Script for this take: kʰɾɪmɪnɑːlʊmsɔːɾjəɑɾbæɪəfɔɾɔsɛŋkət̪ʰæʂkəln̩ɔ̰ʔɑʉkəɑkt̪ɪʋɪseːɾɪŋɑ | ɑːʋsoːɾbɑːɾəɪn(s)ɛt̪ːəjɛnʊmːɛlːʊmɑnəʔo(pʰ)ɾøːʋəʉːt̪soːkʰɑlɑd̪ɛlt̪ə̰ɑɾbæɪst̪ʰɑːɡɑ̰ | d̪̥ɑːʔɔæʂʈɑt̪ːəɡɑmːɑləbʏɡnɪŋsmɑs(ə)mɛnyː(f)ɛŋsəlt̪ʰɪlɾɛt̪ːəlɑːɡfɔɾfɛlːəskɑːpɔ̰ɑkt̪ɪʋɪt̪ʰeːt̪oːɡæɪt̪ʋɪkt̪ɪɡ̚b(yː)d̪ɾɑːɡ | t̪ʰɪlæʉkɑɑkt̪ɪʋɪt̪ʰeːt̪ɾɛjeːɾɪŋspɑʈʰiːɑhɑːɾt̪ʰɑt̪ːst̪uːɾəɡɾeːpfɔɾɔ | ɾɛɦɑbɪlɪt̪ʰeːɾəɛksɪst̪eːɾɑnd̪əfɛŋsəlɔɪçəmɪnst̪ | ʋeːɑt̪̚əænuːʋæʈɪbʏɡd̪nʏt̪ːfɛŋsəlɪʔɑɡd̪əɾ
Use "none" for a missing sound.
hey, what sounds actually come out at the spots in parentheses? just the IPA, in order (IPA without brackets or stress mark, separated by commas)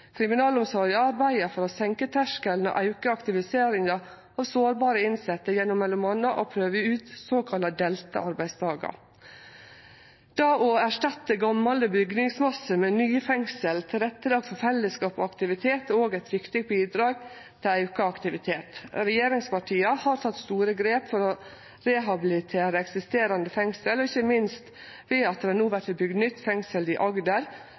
s, pʰ, ə, f, iː